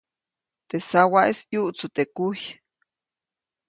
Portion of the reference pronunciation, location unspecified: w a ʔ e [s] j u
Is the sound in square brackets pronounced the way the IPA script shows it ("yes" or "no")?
yes